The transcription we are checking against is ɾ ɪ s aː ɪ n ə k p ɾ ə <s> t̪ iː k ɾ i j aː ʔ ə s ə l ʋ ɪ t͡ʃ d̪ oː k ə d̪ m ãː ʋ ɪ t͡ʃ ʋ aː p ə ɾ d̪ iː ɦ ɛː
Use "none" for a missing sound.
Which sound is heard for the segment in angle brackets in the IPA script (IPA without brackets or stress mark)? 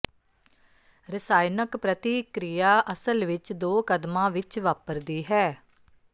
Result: none